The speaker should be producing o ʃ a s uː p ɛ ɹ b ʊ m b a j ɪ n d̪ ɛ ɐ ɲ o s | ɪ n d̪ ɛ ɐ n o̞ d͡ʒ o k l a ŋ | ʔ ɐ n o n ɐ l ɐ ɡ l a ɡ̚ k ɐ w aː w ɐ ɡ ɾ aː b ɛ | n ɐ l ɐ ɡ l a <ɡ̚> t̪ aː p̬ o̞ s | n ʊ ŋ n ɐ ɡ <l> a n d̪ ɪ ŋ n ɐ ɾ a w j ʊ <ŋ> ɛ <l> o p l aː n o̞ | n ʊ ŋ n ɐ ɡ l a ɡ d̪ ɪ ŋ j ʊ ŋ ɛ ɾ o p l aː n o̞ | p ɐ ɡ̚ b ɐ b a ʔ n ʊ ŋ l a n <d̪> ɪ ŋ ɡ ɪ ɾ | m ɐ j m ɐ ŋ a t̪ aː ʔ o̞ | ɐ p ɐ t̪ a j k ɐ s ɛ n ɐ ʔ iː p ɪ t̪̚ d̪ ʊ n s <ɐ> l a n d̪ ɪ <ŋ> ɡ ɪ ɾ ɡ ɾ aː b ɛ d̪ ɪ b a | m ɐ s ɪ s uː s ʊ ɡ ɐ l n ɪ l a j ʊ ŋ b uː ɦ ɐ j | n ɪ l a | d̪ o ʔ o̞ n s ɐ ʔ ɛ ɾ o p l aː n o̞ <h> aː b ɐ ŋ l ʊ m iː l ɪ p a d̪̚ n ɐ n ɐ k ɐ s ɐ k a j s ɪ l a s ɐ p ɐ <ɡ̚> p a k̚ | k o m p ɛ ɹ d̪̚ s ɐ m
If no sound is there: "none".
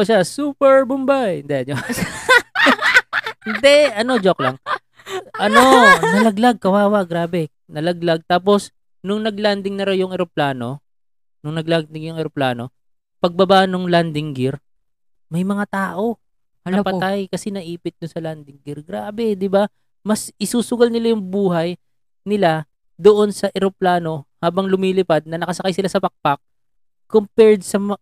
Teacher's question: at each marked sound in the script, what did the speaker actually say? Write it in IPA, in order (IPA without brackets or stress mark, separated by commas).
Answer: ɡ̚, l, ŋ, ɾ, d̪, ɐ, ŋ, h, k̚